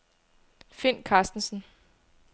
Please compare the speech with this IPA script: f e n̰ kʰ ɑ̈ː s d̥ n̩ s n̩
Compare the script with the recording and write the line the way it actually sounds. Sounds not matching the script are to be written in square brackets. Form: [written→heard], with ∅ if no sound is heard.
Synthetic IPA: f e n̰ kʰ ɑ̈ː s d̥ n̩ s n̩